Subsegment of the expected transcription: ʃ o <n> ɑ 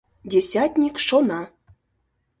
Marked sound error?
no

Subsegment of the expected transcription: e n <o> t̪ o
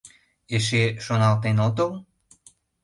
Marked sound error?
no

